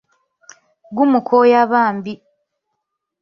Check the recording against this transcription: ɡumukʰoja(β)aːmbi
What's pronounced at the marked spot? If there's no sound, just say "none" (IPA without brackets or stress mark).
β